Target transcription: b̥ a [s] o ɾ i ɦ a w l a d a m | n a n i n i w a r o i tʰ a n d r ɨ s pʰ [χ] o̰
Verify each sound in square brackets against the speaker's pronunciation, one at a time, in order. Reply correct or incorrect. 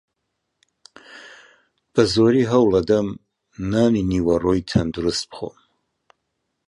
incorrect: z, correct

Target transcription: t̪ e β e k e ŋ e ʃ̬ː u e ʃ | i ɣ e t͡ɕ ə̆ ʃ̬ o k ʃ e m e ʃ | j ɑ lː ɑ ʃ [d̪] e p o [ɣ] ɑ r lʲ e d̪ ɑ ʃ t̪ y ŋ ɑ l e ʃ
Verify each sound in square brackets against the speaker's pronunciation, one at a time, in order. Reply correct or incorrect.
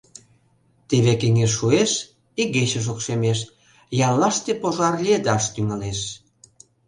incorrect: t̪, incorrect: ʒ

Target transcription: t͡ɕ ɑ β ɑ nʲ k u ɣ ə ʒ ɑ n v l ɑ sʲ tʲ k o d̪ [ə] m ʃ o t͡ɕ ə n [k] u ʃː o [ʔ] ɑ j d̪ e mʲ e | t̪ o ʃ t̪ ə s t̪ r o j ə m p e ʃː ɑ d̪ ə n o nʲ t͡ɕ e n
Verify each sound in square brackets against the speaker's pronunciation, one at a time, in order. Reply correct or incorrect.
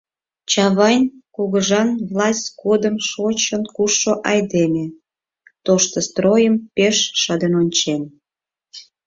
correct, correct, correct

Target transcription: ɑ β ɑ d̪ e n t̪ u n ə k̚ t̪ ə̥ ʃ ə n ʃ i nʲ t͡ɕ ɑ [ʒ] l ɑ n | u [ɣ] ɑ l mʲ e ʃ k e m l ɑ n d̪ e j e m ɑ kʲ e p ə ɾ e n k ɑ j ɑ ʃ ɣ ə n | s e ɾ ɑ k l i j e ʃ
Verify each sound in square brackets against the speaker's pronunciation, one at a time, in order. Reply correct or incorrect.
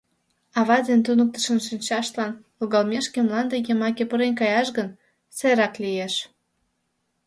incorrect: ʃ, correct

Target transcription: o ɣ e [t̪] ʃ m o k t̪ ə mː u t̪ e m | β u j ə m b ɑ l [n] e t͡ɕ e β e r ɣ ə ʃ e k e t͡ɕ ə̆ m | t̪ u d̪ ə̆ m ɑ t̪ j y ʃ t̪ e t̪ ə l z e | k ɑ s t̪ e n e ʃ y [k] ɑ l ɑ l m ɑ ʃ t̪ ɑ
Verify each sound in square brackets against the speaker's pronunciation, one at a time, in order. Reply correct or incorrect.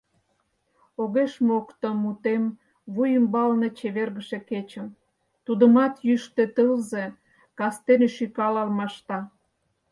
incorrect: none, correct, correct

